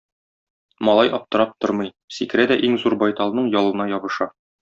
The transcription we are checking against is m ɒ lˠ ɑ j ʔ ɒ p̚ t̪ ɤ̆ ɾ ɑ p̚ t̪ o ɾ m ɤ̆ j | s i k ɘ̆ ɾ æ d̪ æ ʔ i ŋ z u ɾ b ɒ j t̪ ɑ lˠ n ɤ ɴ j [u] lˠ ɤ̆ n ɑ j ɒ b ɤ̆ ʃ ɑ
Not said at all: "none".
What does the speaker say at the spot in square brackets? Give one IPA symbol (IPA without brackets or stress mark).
ɒ